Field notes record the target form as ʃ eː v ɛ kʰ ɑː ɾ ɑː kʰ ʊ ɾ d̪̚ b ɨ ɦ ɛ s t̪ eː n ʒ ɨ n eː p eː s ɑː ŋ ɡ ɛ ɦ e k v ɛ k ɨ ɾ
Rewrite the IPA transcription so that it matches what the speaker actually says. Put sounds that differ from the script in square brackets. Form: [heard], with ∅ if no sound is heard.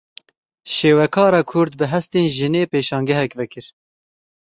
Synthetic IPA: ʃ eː [w] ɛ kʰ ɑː ɾ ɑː kʰ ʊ ɾ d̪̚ b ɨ ɦ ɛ s t̪ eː n ʒ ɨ n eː p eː [ʃ] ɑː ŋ ɡ ɛ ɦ [ɛ] k v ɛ k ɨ ɾ